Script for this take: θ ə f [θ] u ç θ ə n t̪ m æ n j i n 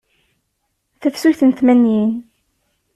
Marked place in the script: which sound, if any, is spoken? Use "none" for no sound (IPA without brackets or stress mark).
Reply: s